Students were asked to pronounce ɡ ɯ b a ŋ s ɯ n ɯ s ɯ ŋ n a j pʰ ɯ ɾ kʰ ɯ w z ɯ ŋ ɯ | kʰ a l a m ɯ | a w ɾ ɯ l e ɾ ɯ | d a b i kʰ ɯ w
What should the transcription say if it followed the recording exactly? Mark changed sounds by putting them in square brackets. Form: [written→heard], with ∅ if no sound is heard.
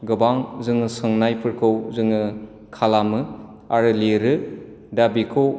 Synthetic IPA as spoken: ɡ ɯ b a ŋ [s→z] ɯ [n→ŋ] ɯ s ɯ ŋ n a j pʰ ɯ ɾ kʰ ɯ w z ɯ ŋ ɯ | kʰ a l a m ɯ | a [w→∅] ɾ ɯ l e ɾ ɯ | d a b i kʰ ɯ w